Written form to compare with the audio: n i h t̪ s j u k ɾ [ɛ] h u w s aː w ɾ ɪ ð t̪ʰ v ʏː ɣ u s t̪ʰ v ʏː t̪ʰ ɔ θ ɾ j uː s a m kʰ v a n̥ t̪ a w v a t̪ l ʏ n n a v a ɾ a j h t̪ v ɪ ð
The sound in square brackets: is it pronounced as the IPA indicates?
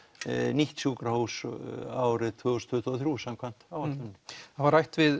no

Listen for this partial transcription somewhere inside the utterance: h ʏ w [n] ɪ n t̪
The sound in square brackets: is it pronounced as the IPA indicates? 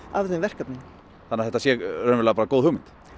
no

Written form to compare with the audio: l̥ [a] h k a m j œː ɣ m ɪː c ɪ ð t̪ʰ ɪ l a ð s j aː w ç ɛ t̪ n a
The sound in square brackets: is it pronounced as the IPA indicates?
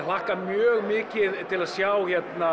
yes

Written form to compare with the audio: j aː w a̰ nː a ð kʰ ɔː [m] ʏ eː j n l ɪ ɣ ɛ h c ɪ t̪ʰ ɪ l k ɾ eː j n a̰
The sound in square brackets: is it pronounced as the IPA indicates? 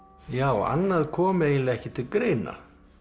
yes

